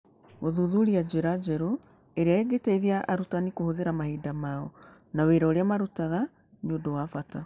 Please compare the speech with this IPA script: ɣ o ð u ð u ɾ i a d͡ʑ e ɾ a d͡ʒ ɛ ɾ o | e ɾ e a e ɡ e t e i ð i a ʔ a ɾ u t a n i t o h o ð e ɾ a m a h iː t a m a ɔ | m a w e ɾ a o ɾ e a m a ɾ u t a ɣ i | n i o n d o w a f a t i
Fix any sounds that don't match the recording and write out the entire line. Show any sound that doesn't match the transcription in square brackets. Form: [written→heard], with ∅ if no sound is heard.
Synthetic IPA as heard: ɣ o ð u ð u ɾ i a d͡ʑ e ɾ a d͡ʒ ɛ ɾ o | e ɾ e a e ɡ e t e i ð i a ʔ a ɾ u t a n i [t→k] o h o ð e ɾ a m a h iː [t→d] a m a ɔ | [m→n] a w e ɾ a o ɾ e a m a ɾ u t a ɣ [i→a] | n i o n d o w a f a t [i→a]